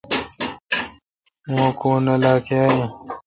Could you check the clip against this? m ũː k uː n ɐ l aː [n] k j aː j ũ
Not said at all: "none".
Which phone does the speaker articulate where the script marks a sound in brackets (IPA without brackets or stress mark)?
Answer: none